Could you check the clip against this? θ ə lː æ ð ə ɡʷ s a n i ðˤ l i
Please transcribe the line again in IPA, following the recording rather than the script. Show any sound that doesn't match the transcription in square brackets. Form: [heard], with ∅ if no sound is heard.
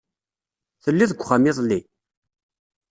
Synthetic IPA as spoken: θ ə lː [i] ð ə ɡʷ [χ] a [m] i ðˤ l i